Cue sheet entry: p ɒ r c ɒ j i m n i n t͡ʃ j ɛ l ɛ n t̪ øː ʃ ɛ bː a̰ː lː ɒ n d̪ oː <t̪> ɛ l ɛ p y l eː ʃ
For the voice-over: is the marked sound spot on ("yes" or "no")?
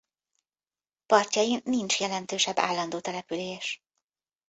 yes